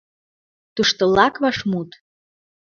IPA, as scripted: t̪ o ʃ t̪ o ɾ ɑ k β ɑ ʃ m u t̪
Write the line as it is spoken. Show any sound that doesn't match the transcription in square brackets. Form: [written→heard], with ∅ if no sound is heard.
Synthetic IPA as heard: t̪ [o→u] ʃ t̪ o [ɾ→l] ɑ k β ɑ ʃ m u t̪